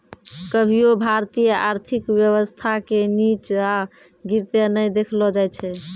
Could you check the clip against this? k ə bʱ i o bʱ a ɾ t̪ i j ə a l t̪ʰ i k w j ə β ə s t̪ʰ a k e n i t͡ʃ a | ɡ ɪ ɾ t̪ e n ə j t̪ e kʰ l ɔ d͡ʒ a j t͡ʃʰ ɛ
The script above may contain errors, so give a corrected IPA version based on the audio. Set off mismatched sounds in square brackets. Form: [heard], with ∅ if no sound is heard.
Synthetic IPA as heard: k ə bʱ i o bʱ a ɾ t̪ i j ə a [ɾ] t̪ʰ i k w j ə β ə s t̪ʰ a k e n i t͡ʃ a | ɡ [i] ɾ t̪ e n ə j [d̪] e kʰ l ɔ d͡ʒ a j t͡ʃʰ ɛ